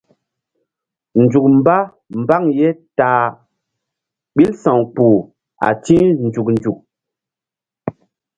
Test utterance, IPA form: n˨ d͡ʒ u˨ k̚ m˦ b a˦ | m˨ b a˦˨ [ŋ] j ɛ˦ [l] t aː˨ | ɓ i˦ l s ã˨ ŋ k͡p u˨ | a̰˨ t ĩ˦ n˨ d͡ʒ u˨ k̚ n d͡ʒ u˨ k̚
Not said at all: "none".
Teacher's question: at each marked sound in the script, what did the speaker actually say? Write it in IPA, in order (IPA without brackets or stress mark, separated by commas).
ŋ, none